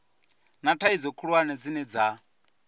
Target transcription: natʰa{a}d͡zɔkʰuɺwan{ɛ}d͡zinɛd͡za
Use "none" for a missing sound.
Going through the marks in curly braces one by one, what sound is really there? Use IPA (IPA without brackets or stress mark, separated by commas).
i, ɛ